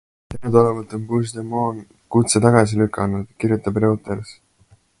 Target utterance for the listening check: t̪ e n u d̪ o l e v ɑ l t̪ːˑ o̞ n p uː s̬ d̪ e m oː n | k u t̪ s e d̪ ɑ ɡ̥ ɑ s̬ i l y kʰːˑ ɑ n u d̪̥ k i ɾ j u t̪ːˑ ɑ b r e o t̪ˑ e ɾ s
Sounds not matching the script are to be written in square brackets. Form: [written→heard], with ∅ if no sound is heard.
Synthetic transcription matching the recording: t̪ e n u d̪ o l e v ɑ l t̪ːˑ o̞ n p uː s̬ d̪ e m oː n | k u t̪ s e [d̪→t̪] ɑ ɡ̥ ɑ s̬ i l y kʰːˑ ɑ n u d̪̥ k i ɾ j u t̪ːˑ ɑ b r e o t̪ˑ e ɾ s

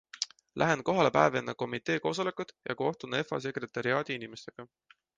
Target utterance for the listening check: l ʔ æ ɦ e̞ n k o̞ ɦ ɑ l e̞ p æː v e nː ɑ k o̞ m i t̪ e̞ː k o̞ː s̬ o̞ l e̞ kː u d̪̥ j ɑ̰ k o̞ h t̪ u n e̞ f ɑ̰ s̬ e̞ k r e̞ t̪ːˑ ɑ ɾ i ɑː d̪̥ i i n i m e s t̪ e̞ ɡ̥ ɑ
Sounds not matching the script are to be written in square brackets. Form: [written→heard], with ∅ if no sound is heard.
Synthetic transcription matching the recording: l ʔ æ ɦ e̞ n k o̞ ɦ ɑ l e̞ p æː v e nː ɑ k o̞ m i t̪ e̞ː k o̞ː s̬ o̞ l e̞ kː u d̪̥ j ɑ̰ k o̞ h t̪ u n e̞ f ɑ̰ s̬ e̞ k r e̞ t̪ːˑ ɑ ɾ i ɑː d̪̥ i i n i m e s t̪ e̞ ɡ̥ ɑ

